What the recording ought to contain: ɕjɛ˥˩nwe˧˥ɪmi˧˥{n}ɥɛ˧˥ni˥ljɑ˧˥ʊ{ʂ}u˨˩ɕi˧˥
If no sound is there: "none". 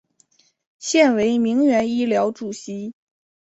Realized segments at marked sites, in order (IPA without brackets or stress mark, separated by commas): ŋ, ʈ͡ʂ